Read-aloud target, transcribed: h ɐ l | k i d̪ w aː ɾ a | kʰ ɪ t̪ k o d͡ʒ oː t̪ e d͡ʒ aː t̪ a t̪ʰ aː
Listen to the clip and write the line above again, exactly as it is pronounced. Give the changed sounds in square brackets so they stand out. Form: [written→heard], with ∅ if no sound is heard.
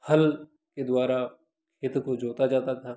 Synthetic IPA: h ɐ l | k [i→e] d̪ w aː ɾ a | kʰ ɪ t̪ k o d͡ʒ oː t̪ [e→a] d͡ʒ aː t̪ a t̪ʰ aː